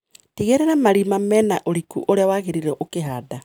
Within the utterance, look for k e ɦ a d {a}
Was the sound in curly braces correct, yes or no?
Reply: yes